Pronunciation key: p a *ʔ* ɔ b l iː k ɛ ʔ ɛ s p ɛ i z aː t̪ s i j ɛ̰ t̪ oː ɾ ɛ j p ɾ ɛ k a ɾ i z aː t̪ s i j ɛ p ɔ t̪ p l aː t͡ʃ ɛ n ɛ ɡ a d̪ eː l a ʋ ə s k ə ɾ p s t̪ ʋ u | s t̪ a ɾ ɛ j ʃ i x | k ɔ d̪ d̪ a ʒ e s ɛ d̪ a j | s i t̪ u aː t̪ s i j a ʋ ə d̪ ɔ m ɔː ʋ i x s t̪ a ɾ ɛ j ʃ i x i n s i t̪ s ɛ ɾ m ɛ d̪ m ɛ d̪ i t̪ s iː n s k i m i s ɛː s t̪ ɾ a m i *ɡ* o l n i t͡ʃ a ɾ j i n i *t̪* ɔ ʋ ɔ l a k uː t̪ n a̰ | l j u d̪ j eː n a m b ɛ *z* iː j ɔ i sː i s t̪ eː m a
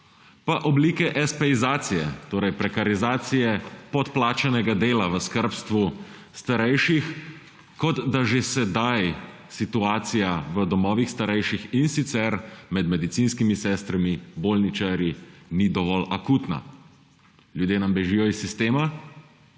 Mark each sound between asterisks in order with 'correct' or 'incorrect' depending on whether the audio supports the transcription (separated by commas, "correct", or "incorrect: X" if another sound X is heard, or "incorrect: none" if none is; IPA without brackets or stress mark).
correct, incorrect: b, incorrect: d̪, incorrect: ʒ